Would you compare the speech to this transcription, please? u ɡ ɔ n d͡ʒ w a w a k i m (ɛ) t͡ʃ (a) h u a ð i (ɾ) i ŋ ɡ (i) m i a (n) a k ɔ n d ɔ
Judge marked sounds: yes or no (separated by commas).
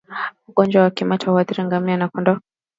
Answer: no, yes, yes, no, yes